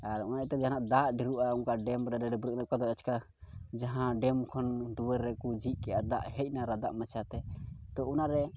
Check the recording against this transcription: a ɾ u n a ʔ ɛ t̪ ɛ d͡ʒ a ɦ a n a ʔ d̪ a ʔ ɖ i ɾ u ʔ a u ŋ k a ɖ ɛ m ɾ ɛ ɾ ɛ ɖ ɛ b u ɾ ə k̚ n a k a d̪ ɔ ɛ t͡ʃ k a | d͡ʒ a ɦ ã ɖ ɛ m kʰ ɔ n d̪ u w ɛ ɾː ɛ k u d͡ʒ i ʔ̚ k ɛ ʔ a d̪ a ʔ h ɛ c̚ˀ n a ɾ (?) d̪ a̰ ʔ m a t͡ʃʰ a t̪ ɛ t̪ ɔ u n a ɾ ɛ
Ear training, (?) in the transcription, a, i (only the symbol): a